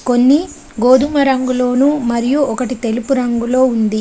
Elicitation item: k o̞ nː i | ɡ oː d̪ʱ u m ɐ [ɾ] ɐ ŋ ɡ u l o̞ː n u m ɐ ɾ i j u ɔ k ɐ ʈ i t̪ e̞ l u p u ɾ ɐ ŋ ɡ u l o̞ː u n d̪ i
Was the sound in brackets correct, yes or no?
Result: yes